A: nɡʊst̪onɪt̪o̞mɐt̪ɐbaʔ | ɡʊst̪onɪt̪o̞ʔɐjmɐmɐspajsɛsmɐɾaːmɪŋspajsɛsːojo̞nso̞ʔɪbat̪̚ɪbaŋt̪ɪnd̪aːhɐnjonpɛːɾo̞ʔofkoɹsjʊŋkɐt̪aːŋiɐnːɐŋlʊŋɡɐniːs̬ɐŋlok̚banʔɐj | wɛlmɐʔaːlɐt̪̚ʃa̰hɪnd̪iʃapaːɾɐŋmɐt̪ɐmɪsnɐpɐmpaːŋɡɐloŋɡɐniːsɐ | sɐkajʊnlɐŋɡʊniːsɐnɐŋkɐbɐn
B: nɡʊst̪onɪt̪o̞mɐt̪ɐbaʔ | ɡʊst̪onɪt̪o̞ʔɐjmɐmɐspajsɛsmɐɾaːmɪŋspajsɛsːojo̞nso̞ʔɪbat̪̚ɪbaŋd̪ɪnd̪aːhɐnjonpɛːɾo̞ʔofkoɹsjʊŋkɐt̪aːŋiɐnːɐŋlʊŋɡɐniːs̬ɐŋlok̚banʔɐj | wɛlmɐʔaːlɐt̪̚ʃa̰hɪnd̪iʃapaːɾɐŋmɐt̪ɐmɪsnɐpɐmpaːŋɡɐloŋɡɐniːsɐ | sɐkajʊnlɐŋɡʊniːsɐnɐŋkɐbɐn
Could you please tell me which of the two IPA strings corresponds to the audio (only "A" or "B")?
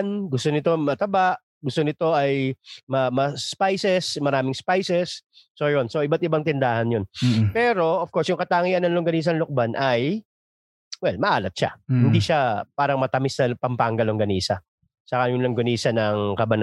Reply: A